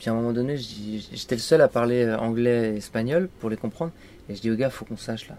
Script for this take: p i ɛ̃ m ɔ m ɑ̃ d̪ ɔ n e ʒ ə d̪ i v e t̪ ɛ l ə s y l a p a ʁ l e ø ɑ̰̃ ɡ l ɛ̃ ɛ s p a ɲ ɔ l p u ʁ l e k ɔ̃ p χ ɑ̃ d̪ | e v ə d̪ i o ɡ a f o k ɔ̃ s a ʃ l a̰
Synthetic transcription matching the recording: p i ɛ̃ m ɔ m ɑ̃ d̪ ɔ n e ʒ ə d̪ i ʒ e t̪ ɛ l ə s œ l a p a ʁ l e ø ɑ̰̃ ɡ l ɛ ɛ s p a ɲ ɔ l p u ʁ l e k ɔ̃ p χ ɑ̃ d̪ | e ʒ ə d̪ i o ɡ a f o k ɔ̃ s a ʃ l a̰